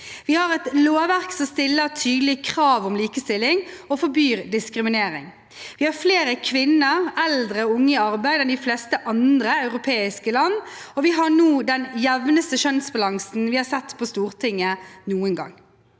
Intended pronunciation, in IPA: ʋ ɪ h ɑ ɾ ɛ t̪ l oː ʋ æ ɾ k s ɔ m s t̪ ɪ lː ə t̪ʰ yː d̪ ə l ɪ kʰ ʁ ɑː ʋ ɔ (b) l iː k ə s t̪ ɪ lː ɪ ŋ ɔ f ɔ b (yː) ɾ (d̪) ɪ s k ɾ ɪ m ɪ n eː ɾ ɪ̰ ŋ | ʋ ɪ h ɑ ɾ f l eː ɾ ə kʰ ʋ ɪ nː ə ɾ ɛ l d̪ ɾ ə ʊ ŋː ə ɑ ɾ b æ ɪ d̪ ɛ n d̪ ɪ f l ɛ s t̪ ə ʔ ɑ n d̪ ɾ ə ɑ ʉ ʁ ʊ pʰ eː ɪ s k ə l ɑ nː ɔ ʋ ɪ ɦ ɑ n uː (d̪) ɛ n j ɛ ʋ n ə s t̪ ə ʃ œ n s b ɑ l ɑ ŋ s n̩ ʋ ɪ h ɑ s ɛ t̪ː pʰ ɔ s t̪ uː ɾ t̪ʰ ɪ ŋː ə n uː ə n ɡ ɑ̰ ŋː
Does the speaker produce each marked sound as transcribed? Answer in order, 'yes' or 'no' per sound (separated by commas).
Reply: no, yes, yes, yes